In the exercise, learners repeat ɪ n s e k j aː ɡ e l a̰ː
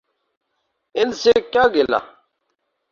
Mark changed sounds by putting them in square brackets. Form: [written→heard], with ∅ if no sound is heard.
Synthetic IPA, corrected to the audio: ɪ n s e k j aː ɡ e l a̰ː